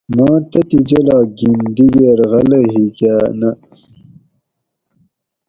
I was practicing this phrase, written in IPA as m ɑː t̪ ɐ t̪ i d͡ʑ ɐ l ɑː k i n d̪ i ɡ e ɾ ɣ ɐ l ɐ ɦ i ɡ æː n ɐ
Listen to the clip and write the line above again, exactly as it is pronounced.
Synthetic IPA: m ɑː t̪ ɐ t̪ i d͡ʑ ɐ l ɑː ɡ i n d̪ i ɡ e ɾ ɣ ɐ l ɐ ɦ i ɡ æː n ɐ